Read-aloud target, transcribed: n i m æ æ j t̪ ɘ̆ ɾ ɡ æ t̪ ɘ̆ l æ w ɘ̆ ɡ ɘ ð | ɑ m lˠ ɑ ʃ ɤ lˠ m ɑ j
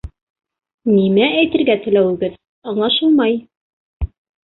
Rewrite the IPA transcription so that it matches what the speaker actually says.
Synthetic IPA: n i m æ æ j t̪ ɘ̆ ɾ ɡ æ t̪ ɘ̆ l æ w ɘ̆ ɡ ɘ ð | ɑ ɴ lˠ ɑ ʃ ɤ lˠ m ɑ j

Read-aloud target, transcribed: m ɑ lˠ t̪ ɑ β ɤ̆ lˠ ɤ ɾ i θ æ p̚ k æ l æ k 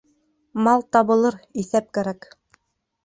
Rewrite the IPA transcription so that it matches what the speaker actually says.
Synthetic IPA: m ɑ lˠ t̪ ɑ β ɤ̆ lˠ ɤ ɾ i θ æ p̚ k æ ɾ æ k

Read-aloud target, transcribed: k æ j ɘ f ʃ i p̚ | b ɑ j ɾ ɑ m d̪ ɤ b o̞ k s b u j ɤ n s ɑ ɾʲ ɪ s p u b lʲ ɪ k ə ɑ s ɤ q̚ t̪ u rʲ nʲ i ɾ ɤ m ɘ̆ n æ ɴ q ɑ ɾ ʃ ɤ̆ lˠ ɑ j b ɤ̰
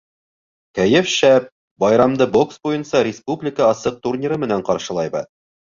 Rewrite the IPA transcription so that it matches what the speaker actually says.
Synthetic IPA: k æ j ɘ f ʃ æ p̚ | b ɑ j ɾ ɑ m d̪ ɤ b o̞ k s b u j ɤ n s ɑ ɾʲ ɪ s p u b lʲ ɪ k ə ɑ s ɤ q̚ t̪ u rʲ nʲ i ɾ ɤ m ɘ̆ n æ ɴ q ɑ ɾ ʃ ɤ̆ lˠ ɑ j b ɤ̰

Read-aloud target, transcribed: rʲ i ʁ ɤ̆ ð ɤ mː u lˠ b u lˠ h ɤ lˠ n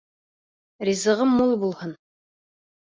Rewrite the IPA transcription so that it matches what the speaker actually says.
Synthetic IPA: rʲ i z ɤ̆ ʁ ɤ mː u lˠ b u lˠ h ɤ n

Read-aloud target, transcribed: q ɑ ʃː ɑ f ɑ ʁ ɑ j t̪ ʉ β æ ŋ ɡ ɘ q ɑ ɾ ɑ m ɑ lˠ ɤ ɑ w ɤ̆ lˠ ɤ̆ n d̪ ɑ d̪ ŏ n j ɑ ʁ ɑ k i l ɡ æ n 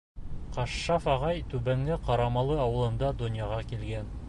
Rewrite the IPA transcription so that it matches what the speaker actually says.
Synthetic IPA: q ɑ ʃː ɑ f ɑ ʁ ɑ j t̪ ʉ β æ ŋ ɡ ɘ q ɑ ɾ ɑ m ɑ lˠ ɤ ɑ w ɤ̆ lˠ ɤ̆ n d̪ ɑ d̪ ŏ n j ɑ ʁ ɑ k i l ɡ æ n

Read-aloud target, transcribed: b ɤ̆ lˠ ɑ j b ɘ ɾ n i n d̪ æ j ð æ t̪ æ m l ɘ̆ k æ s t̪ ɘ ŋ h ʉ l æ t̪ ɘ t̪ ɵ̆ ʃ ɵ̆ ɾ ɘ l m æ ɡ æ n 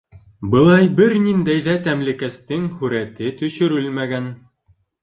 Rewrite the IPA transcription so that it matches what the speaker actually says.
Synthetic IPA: b ɤ̆ lˠ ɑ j b ɘ ɾ n i n d̪ æ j ð æ t̪ æ m l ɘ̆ k æ s t̪ ɘ ŋ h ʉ ɾ æ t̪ ɘ t̪ ɵ̆ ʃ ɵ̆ ɾ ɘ l m æ ɡ æ n

